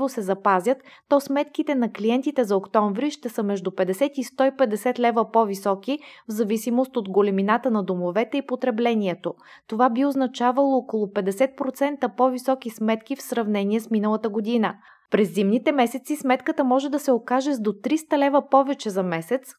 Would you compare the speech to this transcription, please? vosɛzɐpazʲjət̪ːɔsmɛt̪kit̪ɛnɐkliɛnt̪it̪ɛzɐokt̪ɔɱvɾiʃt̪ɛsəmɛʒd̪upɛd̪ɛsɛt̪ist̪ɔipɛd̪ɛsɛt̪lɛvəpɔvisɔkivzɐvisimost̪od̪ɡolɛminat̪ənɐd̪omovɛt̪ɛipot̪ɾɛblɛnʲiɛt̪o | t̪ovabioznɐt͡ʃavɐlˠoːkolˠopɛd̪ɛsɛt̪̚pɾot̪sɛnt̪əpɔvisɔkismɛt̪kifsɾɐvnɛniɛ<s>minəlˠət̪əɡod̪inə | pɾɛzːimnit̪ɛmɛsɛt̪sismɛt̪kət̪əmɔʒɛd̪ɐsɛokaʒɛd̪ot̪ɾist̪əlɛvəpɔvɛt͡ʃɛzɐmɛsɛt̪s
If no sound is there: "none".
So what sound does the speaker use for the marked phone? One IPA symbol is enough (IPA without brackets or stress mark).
s